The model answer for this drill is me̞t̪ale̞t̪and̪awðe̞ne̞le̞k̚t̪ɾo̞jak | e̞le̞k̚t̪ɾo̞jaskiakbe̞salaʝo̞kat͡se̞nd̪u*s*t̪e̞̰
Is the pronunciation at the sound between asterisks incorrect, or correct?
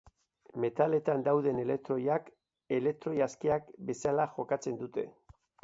incorrect: none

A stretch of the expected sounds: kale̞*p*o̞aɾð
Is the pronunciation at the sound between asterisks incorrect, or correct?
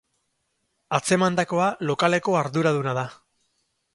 incorrect: k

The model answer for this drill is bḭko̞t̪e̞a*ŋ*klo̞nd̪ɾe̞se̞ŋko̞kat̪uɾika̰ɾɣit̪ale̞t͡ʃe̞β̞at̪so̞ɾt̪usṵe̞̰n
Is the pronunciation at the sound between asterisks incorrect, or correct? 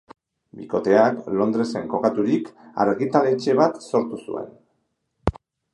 incorrect: none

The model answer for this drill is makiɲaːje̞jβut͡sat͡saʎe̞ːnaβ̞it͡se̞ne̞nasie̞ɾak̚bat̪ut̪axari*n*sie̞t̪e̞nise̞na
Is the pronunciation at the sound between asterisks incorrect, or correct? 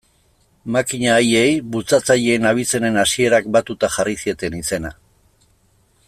incorrect: none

